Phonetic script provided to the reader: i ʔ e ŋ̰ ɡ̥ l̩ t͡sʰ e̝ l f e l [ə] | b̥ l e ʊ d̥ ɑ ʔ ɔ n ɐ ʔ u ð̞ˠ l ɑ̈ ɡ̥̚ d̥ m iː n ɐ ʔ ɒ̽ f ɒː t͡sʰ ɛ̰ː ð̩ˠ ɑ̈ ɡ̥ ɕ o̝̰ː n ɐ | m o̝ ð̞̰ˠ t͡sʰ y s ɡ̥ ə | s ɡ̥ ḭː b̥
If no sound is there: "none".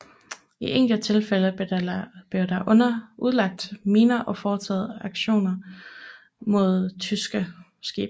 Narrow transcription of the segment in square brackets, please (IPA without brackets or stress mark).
ə